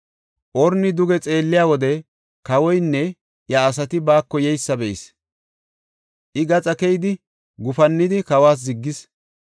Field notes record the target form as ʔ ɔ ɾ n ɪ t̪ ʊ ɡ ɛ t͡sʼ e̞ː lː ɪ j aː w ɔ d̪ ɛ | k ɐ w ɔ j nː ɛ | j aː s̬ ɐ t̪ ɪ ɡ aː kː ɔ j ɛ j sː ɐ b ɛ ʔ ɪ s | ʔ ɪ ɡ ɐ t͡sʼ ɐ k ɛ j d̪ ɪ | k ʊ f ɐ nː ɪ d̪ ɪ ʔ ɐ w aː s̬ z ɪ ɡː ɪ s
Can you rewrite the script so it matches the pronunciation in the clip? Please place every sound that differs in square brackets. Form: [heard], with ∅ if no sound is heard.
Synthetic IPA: ʔ ɔ ɾ n ɪ [d̪] ʊ ɡ ɛ t͡sʼ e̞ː lː ɪ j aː w ɔ d̪ ɛ | k ɐ w ɔ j nː ɛ | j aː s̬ ɐ t̪ ɪ [b] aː kː ɔ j ɛ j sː ɐ b ɛ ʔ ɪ s | ʔ ɪ ɡ ɐ t͡sʼ ɐ k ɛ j d̪ ɪ | [ɡ] ʊ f ɐ nː ɪ d̪ ɪ [k] ɐ w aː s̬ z ɪ ɡː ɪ s